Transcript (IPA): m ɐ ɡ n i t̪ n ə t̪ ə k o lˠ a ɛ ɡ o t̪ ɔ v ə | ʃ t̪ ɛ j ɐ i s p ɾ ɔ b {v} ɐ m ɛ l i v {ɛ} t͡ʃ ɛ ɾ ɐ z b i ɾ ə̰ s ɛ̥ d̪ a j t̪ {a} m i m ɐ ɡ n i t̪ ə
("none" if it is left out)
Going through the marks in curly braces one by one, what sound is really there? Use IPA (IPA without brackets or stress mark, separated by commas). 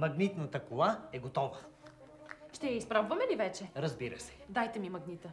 v, ɛ, ɛ